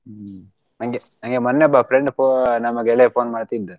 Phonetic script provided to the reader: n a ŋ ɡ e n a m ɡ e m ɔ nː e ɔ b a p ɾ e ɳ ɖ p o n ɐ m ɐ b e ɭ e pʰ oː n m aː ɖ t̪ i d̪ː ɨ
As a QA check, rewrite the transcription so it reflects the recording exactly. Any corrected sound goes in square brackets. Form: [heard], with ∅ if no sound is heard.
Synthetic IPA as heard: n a ŋ ɡ e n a [ŋ] ɡ e m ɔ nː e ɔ b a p ɾ e ɳ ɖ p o n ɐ m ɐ [ɡ] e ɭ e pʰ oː n m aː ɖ t̪ i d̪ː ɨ